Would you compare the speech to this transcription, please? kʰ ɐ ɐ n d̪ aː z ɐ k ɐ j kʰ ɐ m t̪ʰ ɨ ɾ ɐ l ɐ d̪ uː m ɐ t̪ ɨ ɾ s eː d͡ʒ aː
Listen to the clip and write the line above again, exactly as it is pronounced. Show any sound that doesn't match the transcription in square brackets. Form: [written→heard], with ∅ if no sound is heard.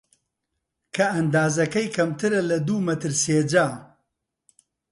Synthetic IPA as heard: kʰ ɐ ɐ n d̪ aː z ɐ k ɐ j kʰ ɐ m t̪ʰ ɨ ɾ ɐ l ɐ d̪ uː m ɐ t̪ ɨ ɾ s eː d͡ʒ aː